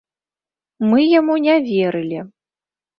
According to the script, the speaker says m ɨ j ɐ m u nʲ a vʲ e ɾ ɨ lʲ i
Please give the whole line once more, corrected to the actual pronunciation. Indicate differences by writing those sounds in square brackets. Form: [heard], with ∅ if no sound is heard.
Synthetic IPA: m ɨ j [a] m u nʲ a vʲ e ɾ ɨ lʲ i